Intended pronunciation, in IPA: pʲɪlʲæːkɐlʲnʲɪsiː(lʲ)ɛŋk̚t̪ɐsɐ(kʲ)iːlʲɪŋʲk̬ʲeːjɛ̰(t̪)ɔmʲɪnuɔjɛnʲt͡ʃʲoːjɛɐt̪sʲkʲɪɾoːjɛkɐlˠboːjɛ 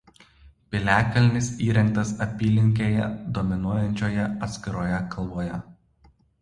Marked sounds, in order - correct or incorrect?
incorrect, incorrect, incorrect

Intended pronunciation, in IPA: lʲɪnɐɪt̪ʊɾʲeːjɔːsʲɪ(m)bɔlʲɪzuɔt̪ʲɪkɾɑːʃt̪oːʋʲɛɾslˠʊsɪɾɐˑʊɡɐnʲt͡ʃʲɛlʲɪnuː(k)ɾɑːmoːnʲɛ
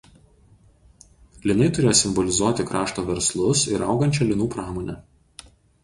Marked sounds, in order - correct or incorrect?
correct, incorrect

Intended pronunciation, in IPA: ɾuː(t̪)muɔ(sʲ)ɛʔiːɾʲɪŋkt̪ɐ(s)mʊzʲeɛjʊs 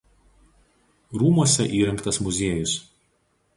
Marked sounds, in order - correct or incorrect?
incorrect, correct, correct

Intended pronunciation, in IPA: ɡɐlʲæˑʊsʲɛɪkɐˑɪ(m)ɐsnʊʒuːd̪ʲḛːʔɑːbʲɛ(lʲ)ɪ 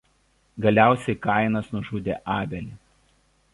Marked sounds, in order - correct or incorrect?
incorrect, correct

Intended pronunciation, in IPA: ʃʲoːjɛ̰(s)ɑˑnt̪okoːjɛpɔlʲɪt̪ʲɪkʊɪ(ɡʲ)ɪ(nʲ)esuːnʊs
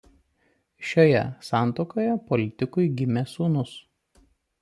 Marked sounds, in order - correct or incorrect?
correct, correct, incorrect

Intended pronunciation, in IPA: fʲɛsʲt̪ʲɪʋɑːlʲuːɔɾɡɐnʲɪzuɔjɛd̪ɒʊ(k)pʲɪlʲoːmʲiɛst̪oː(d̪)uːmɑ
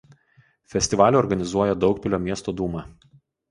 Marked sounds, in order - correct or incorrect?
correct, correct

